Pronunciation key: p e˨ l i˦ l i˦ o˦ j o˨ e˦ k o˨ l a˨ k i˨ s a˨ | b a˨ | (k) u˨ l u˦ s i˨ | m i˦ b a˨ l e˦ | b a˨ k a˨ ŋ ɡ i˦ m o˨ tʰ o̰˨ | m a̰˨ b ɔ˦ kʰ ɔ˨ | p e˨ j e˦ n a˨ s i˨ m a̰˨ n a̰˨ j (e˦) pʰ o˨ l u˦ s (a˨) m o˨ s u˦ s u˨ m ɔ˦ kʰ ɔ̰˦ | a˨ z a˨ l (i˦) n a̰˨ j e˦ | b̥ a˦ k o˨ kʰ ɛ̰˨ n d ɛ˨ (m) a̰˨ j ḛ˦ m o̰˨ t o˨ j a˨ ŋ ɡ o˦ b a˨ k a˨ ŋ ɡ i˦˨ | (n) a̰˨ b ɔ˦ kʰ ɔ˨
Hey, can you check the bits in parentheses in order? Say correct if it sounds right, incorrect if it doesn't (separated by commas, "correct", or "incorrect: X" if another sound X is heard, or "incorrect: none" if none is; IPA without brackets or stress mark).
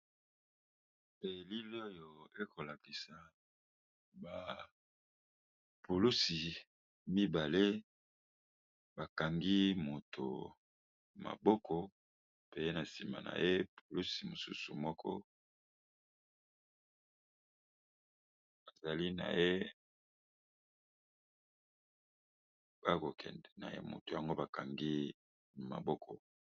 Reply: incorrect: p, correct, incorrect: i˨, correct, incorrect: n, incorrect: m